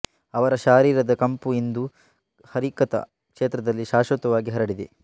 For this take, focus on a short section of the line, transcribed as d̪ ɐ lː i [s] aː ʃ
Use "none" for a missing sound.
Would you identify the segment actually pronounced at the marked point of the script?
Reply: ʃ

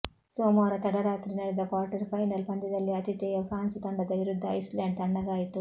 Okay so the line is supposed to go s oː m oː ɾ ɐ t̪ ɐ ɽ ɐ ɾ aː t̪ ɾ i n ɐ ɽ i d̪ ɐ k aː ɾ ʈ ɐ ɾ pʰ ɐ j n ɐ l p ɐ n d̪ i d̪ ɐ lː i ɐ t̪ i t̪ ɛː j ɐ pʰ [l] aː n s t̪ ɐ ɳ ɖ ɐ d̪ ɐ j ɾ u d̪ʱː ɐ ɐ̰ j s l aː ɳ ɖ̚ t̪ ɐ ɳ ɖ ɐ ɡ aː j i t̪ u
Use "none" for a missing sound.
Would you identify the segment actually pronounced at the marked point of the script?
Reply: ɾ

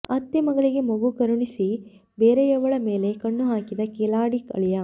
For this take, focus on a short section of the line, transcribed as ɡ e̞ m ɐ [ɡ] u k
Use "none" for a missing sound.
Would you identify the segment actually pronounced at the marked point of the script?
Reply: ɡ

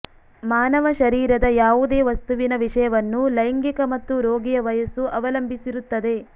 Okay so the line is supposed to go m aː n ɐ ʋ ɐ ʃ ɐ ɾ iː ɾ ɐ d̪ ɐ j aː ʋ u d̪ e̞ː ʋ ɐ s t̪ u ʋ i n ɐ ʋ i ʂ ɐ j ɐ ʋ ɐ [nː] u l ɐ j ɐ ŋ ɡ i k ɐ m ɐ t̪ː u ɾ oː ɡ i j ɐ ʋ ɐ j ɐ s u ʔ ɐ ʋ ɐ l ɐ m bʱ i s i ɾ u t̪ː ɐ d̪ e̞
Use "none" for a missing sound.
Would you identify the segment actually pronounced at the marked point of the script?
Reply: nː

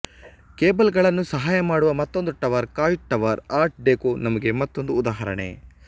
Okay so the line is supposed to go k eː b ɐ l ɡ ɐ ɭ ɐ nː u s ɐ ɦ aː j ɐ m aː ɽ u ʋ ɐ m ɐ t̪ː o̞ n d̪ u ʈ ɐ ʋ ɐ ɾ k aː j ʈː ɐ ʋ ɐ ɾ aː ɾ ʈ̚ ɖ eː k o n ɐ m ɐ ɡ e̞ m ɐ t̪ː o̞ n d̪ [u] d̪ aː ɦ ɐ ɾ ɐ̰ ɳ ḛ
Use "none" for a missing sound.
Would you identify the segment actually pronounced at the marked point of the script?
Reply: uː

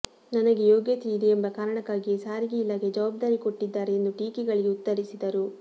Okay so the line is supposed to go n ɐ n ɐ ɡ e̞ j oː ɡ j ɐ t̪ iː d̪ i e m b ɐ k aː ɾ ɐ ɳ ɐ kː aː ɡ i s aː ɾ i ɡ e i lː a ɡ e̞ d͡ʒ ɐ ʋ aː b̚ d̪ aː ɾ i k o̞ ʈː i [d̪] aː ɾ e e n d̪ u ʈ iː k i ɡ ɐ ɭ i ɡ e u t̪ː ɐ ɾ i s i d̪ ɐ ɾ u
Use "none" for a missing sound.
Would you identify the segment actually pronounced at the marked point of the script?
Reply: d̪ː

